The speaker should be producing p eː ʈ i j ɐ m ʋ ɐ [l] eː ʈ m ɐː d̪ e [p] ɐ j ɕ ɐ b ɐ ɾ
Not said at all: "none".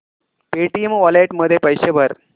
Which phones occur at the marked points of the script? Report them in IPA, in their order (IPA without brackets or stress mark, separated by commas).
l, p